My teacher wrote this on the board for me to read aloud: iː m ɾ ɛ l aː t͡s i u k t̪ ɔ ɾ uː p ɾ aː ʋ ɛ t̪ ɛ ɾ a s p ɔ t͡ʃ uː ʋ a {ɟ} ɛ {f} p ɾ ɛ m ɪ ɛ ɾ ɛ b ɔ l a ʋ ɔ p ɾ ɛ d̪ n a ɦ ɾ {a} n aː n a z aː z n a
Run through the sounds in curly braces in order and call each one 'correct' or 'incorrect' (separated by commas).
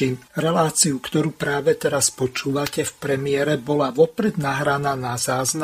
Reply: incorrect, correct, correct